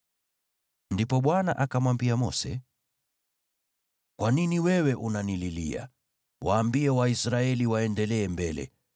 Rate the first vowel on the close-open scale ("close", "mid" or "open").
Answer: close